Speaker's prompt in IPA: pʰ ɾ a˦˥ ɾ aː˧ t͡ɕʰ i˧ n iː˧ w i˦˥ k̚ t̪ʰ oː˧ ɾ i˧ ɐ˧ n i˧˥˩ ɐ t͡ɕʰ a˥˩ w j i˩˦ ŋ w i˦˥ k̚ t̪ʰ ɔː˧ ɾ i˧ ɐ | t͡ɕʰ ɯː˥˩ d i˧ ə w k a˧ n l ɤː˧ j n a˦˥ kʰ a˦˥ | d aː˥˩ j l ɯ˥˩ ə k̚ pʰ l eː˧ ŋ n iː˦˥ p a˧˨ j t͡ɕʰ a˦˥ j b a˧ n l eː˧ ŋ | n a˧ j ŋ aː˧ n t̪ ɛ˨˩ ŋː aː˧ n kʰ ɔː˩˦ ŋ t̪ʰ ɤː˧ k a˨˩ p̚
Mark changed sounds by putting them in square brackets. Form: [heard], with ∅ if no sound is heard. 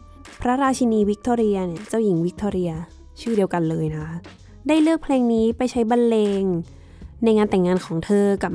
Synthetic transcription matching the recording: pʰ ɾ a˦˥ ɾ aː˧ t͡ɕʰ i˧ n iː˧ w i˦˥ k̚ t̪ʰ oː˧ ɾ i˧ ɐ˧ n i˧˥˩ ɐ [t͡ɕ] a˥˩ w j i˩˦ ŋ w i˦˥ k̚ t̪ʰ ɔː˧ ɾ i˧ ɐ | t͡ɕʰ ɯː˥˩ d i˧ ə w k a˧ n l ɤː˧ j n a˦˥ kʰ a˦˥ | d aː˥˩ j l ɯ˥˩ ə k̚ pʰ l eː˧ ŋ n iː˦˥ p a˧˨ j t͡ɕʰ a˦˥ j b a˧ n l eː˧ ŋ | n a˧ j ŋ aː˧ n t̪ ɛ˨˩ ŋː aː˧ n kʰ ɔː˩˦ ŋ t̪ʰ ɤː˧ k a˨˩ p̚